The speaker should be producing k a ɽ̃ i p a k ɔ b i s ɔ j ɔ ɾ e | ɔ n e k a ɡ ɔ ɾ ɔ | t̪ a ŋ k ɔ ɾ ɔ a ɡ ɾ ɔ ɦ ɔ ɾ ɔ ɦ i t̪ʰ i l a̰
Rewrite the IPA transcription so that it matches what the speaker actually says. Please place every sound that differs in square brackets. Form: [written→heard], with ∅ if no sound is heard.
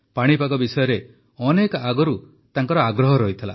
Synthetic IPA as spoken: [k→p] a ɽ̃ i p a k ɔ b i s ɔ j ɔ ɾ e | ɔ n e k a ɡ ɔ ɾ [ɔ→u] | t̪ a ŋ k ɔ ɾ ɔ a ɡ ɾ ɔ ɦ ɔ ɾ ɔ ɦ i t̪ʰ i l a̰